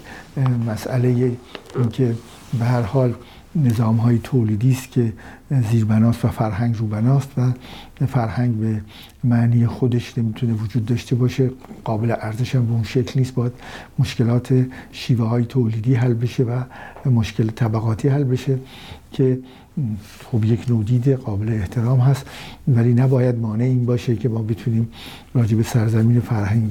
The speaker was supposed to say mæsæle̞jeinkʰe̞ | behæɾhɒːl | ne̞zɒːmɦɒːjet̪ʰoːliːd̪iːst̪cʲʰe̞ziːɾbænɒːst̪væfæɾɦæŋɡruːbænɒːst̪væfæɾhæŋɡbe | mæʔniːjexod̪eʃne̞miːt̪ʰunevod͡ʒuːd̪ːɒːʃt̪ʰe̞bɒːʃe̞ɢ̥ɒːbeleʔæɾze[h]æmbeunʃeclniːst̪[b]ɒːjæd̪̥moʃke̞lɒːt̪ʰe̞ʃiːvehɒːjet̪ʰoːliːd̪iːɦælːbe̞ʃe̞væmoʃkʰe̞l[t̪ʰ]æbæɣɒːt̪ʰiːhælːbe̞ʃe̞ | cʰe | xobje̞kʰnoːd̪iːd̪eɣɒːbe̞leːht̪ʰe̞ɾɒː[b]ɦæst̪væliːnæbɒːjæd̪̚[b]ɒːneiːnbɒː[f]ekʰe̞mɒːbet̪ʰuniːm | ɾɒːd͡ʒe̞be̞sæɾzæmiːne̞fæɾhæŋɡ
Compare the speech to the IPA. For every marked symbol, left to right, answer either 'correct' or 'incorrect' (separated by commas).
incorrect, correct, correct, incorrect, incorrect, incorrect